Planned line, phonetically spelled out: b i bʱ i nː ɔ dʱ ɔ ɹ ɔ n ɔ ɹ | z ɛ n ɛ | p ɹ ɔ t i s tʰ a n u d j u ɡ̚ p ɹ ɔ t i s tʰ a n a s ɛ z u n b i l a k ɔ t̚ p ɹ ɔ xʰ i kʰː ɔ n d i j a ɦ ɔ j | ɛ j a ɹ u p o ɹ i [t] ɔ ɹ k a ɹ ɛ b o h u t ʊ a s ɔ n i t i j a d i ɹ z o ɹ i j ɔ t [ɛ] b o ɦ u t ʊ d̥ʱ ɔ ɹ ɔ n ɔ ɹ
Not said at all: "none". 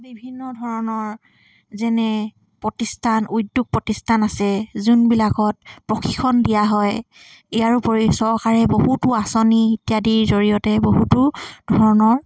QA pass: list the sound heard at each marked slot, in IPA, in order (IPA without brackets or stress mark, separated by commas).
s, ɛ